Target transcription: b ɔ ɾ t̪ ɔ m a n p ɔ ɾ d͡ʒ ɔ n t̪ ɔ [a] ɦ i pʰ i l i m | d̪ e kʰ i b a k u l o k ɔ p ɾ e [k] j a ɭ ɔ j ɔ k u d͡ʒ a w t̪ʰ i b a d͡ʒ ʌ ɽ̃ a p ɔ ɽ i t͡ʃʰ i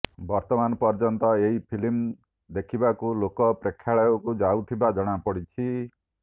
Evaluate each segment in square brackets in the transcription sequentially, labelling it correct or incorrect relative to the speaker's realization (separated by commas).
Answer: incorrect, incorrect